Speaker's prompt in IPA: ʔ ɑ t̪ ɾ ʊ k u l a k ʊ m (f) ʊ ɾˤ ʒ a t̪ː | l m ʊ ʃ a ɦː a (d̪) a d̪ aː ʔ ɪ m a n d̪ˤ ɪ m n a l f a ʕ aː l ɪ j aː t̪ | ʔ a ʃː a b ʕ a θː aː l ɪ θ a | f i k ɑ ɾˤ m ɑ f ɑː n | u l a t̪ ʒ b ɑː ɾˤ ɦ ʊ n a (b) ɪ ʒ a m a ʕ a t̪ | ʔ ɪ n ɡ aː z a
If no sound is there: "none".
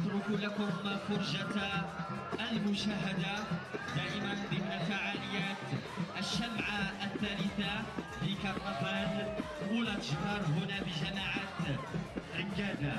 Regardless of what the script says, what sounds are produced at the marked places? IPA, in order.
f, d̪, b

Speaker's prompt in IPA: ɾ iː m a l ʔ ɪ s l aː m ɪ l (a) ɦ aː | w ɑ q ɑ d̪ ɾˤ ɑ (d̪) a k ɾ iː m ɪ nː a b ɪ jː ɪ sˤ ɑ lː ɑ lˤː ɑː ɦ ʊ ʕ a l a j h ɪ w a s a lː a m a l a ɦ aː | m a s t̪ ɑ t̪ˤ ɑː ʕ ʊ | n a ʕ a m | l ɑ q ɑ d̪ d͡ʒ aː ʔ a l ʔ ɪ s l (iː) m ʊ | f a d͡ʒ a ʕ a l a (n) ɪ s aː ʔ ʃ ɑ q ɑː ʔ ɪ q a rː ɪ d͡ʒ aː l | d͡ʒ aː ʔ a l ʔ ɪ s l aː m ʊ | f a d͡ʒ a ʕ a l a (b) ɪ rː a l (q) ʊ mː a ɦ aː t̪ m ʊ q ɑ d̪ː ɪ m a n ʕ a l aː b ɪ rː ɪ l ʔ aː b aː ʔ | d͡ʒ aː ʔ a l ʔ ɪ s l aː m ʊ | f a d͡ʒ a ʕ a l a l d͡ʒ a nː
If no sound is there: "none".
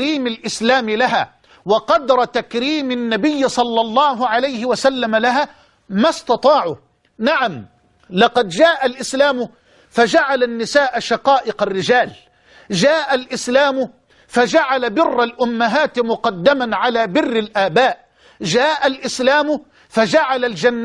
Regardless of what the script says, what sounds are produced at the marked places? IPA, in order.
a, t̪, aː, nː, b, ʔ

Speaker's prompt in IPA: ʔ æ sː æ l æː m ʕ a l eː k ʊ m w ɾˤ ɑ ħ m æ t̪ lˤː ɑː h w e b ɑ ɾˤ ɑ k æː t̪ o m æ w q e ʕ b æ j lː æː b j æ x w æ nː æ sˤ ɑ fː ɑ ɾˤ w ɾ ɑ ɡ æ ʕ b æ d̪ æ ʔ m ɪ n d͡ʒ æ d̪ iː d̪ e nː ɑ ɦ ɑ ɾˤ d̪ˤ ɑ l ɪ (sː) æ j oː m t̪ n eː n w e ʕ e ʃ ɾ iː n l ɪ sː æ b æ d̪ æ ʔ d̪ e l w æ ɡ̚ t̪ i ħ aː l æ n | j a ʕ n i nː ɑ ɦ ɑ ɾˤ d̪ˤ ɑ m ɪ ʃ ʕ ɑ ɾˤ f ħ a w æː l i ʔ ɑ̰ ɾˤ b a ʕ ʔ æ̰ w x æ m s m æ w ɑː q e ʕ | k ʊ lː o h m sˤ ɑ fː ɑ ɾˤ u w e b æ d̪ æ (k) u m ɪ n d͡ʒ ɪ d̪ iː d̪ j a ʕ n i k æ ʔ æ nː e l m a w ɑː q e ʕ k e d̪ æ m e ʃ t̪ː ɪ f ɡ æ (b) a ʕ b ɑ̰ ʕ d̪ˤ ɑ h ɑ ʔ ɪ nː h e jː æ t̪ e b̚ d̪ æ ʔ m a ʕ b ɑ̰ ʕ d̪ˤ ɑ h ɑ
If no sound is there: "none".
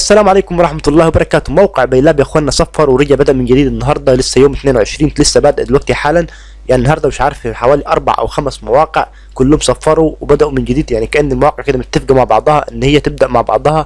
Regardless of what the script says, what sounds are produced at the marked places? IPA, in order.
sː, ʔ, m

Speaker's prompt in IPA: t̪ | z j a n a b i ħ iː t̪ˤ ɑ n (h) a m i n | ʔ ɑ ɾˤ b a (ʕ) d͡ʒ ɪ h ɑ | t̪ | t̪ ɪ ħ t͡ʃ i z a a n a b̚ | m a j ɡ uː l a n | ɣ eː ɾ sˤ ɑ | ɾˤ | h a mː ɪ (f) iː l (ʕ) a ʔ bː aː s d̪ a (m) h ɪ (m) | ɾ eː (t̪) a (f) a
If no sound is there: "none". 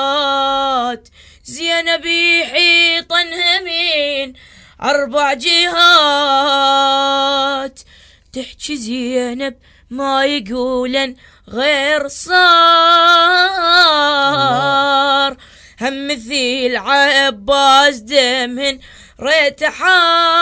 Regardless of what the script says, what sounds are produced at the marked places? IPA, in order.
h, ʕ, θ, ʕ, m, n, t̪, ħ

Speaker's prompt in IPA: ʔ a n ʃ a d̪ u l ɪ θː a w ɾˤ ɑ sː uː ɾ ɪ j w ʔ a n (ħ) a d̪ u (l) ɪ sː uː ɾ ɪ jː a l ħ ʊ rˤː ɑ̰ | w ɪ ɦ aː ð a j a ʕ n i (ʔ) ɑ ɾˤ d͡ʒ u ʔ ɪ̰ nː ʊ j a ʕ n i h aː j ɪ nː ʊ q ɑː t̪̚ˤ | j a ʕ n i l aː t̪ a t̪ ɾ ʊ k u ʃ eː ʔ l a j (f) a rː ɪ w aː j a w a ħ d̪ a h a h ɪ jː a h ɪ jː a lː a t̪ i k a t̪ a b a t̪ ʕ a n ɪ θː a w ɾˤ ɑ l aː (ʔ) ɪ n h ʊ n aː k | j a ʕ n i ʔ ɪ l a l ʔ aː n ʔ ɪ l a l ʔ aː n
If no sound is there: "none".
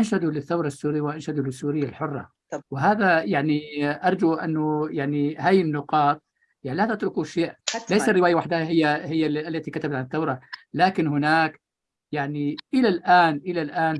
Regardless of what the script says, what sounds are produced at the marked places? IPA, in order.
ʃ, l, ʔ, s, k

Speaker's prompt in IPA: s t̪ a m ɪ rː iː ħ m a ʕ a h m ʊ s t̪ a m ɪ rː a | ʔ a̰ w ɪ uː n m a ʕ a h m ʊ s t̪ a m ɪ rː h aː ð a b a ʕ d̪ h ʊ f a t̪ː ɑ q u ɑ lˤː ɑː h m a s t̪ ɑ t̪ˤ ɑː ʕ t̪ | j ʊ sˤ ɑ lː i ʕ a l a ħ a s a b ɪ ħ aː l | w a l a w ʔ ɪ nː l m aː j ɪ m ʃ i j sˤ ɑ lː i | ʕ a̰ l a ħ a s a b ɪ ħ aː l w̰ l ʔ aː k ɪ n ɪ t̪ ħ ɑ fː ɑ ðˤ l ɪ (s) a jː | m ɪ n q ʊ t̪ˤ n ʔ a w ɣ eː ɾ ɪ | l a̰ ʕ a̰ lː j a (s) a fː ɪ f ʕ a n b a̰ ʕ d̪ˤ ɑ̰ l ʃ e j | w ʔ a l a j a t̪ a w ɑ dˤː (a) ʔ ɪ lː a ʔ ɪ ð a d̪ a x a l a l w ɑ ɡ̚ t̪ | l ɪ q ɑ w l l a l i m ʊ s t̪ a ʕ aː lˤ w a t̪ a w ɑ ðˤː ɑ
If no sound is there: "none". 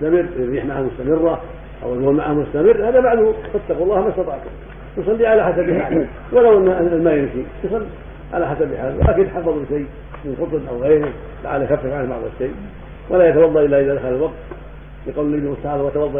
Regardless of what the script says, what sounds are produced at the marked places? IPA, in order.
ʃ, x, ɑ

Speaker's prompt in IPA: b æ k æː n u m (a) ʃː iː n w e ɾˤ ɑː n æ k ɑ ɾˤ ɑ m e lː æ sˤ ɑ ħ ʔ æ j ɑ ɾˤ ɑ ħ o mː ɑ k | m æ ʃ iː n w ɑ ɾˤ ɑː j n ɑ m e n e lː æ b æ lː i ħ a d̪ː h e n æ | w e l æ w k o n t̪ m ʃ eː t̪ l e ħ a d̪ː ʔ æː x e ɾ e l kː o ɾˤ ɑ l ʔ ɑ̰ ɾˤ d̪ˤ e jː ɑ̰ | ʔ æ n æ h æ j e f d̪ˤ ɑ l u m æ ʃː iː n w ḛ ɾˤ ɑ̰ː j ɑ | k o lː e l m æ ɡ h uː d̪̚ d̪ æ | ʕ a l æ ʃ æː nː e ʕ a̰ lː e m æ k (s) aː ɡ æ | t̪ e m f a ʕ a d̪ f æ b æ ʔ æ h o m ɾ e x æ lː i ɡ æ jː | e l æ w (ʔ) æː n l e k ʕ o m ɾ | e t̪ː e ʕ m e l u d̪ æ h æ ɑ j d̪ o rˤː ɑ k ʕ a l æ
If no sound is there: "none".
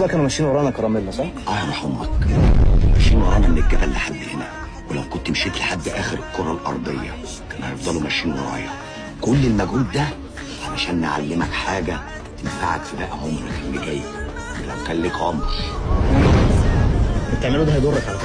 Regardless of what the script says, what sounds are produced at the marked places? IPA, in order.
æ, ħ, k

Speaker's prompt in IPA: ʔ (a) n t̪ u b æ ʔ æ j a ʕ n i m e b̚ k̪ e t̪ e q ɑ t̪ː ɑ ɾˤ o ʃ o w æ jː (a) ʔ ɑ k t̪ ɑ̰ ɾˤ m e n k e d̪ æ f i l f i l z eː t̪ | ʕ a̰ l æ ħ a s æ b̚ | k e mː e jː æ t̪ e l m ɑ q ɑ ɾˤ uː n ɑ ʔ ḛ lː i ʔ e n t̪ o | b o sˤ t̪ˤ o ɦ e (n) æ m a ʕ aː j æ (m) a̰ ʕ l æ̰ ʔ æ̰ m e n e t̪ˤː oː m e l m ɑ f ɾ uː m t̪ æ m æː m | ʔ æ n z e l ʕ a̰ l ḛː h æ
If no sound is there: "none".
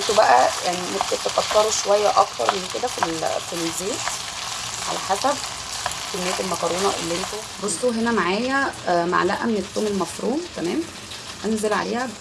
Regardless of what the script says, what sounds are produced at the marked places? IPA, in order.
e, æ, n, m

